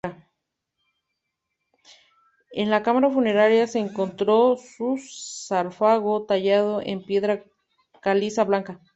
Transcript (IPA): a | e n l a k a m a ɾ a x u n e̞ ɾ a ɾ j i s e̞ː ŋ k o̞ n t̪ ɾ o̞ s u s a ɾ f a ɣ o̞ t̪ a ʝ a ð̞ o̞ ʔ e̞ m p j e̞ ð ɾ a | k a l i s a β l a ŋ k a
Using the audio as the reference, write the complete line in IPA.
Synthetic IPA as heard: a | e n l a k a m a ɾ a f u n e̞ ɾ a ɾ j a s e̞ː ŋ k o̞ n t̪ ɾ o̞ s u s a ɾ f a ɣ o̞ t̪ a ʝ a ð̞ o̞ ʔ e̞ m p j e̞ ð ɾ a | k a l i s a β l a ŋ k a